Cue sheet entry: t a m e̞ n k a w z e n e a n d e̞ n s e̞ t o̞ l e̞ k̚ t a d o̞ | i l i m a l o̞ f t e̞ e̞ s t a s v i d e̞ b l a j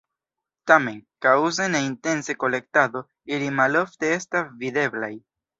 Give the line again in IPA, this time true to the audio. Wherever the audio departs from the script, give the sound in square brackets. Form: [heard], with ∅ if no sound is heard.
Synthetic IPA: t a m e̞ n k a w z e n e [i] n [t] e̞ n s e̞ [k] o̞ l e̞ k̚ t a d o̞ | i l i m a l o̞ f t e̞ e̞ s t a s v i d e̞ b l a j